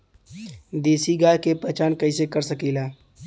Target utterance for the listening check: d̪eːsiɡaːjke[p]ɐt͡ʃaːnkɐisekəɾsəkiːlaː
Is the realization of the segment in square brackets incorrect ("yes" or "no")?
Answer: no